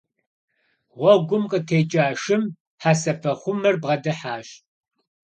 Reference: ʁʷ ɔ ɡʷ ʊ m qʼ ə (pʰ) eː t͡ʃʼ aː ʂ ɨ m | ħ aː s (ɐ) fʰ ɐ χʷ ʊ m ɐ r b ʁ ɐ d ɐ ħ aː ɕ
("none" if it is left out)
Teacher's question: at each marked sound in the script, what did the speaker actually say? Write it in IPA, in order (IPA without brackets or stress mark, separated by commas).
tʰ, ɐ